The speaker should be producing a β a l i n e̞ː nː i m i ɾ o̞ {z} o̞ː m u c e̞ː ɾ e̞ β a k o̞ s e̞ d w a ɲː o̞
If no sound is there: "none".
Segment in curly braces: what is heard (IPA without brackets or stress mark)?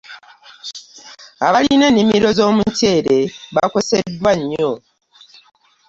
z